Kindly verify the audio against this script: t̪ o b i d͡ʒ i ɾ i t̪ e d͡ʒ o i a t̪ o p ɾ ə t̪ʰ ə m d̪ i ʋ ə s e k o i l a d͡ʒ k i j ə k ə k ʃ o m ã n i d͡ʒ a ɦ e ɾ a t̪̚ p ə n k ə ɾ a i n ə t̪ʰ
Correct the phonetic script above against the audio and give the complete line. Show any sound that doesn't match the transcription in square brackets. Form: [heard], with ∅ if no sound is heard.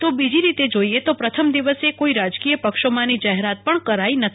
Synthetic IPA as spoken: t̪ o b i d͡ʒ i ɾ i t̪ e d͡ʒ o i [e] t̪ o p ɾ ə t̪ʰ ə m d̪ i ʋ ə s e k o i [ɾ] a d͡ʒ k i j ə [p] ə k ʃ o m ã n i d͡ʒ a ɦ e ɾ a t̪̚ p ə [ɳ] k ə ɾ a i n ə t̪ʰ